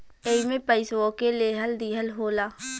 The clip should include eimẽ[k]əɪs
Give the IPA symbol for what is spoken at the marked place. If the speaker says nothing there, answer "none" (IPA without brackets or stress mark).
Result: p